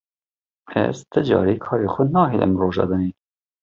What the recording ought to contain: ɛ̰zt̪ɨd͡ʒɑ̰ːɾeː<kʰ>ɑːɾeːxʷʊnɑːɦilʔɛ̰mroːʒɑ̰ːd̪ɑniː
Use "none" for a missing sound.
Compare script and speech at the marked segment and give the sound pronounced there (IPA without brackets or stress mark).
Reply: kʰ